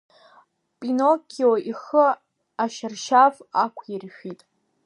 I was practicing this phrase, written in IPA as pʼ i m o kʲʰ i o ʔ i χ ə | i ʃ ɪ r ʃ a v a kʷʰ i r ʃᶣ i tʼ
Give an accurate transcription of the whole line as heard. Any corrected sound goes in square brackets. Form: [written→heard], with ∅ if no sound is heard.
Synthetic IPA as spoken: pʼ i [m→n] o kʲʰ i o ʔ i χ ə | [i→a] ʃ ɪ r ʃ a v a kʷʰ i r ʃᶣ i tʼ